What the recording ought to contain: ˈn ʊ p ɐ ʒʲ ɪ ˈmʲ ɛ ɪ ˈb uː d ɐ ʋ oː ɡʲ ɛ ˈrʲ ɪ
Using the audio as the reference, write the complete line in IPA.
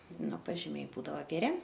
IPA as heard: ˈn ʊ p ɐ ʒʲ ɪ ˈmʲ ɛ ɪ ˈb uː d ɐ ʋ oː ɡʲ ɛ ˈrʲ ɪ